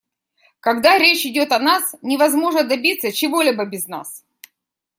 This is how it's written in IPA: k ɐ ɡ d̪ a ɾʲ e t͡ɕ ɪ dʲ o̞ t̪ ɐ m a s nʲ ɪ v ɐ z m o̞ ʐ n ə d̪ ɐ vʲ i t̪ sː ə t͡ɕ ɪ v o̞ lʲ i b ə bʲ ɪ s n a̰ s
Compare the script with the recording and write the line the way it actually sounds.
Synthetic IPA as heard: k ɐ ɡ d̪ a ɾʲ e t͡ɕ ɪ dʲ o̞ t̪ ɐ n a s nʲ ɪ v ɐ z m o̞ ʐ n ə d̪ ɐ bʲ i t̪ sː ə t͡ɕ ɪ v o̞ lʲ i b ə bʲ ɪ z n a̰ s